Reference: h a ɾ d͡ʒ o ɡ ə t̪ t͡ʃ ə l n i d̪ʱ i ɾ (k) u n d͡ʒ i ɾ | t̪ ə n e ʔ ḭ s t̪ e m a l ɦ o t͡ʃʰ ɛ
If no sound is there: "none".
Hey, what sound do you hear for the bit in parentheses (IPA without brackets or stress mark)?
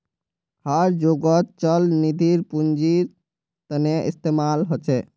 p